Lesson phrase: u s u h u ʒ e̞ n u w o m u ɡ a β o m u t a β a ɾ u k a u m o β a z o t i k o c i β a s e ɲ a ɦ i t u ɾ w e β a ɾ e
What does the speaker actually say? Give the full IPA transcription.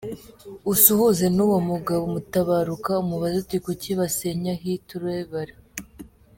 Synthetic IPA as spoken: u s u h u z e̞ n u w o m u ɡ a β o m u t a β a ɾ u k a u m u β a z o t i k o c i β a s e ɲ a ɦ i t u ɾ w e β a ɾ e